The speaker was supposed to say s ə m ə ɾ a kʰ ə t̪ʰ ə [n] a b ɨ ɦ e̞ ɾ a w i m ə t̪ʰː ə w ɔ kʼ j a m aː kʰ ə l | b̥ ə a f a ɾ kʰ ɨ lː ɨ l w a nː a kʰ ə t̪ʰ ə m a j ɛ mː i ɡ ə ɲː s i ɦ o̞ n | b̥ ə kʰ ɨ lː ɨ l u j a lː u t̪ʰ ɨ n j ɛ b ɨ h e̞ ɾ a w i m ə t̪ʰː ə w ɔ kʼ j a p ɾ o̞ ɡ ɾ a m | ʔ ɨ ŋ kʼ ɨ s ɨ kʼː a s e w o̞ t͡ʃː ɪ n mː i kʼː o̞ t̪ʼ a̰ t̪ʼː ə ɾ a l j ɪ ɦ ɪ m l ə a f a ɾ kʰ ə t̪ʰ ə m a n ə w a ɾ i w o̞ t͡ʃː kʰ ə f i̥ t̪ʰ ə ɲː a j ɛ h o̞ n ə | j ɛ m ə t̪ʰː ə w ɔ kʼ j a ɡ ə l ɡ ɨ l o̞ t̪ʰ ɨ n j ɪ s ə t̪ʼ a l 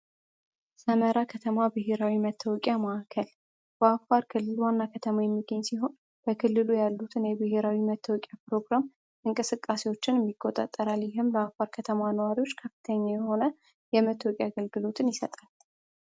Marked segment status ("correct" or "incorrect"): incorrect